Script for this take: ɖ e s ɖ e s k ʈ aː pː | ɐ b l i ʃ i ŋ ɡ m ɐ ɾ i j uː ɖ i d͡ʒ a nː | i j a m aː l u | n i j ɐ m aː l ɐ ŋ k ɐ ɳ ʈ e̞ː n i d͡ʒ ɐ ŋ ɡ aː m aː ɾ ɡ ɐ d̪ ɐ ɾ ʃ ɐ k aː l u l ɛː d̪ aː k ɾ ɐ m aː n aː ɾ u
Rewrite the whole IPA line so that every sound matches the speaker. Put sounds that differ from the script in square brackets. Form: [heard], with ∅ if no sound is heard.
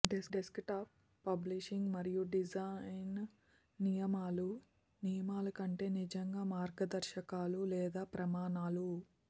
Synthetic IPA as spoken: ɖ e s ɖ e s k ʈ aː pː | ɐ b l i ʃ i ŋ ɡ m ɐ ɾ i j [u] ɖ i d͡ʒ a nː | i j [ɐ] m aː l u | n i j ɐ m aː l ɐ [∅] k ɐ ɳ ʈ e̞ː n i d͡ʒ ɐ ŋ ɡ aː m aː ɾ ɡ ɐ d̪ ɐ ɾ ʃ ɐ k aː l u l ɛː d̪ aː [p] ɾ ɐ m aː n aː [l] u

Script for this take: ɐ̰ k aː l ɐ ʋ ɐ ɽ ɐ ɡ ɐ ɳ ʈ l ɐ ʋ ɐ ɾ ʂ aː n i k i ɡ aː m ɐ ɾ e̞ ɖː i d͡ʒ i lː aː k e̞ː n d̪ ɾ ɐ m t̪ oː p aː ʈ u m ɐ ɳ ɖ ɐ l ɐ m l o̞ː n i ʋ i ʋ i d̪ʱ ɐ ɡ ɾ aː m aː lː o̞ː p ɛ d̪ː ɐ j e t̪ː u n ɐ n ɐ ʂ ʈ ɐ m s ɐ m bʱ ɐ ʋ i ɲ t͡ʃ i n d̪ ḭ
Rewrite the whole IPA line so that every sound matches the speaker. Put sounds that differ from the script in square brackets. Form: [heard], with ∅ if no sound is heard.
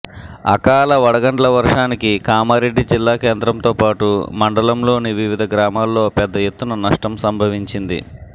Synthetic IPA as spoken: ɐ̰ k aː l ɐ ʋ ɐ ɽ ɐ ɡ ɐ ɳ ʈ l ɐ ʋ ɐ ɾ ʂ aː n i k i [k] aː m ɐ ɾ e̞ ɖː i d͡ʒ i lː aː k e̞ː n d̪ ɾ ɐ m t̪ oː p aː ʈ u m ɐ ɳ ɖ ɐ l ɐ m l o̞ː n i ʋ i ʋ i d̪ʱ ɐ ɡ ɾ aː m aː lː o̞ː p ɛ d̪ː ɐ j e t̪ː u n ɐ n ɐ ʂ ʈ ɐ m s ɐ m bʱ ɐ ʋ i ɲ t͡ʃ i n d̪ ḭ

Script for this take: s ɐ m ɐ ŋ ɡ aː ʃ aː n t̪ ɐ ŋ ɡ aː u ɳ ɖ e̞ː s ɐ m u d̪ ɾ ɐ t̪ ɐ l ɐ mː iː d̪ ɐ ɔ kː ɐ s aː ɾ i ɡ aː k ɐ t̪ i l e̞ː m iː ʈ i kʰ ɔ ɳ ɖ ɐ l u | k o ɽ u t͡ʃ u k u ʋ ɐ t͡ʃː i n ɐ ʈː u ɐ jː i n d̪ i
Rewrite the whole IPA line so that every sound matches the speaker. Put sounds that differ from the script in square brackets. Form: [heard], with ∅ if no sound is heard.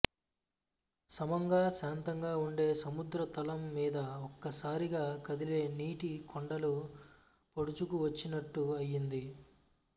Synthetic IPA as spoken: s ɐ m ɐ ŋ ɡ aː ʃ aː n t̪ ɐ ŋ ɡ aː u ɳ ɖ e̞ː s ɐ m u d̪ ɾ ɐ t̪ ɐ l ɐ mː iː d̪ ɐ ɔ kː ɐ s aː ɾ i ɡ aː k ɐ [d̪] i l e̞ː [n] iː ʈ i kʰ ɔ ɳ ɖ ɐ l u | [p] o ɽ u t͡ʃ u k u ʋ ɐ t͡ʃː i n ɐ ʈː u ɐ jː i n d̪ i

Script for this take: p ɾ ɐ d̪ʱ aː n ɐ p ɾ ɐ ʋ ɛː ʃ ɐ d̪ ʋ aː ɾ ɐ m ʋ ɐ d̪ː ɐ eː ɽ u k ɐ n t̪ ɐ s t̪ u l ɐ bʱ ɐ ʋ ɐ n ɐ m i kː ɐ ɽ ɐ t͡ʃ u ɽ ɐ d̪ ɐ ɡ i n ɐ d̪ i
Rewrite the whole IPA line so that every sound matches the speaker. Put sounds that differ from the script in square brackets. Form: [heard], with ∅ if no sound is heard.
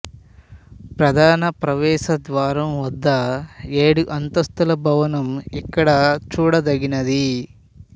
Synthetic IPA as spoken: p ɾ ɐ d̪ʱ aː n ɐ p ɾ ɐ ʋ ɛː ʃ ɐ d̪ ʋ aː ɾ ɐ m ʋ ɐ d̪ː ɐ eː ɽ u [ʔ] ɐ n t̪ ɐ s t̪ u l ɐ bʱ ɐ ʋ ɐ n ɐ m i kː ɐ ɽ ɐ t͡ʃ [uː] ɽ ɐ d̪ ɐ ɡ i n ɐ d̪ i

